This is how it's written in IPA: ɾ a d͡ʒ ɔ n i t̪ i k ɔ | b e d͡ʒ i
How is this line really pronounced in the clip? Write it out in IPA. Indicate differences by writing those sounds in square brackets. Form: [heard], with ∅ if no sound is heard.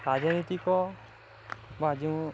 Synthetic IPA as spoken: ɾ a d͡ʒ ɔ n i t̪ i k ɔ | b [a] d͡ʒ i